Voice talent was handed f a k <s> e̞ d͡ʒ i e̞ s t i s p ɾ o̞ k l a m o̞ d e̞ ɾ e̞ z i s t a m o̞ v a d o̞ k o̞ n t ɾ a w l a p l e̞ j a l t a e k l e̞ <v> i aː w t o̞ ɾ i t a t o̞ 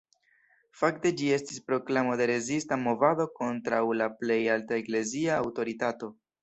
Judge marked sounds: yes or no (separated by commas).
no, no